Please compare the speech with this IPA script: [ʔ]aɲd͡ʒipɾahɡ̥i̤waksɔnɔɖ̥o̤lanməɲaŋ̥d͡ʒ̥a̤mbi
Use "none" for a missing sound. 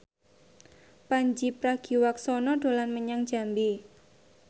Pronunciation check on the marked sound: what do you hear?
p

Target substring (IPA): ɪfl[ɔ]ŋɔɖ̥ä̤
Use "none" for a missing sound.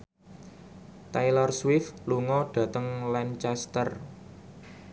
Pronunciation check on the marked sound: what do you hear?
u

